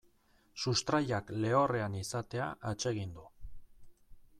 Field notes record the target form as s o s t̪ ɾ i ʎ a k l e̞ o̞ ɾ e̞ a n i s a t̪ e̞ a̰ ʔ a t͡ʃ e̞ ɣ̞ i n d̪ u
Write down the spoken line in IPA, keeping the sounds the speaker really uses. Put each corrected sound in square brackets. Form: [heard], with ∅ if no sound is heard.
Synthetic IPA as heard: s [u] s t̪ ɾ [a] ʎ a k l e̞ o̞ [r] e̞ a n i s a t̪ e̞ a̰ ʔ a t͡ʃ e̞ ɣ̞ i n d̪ u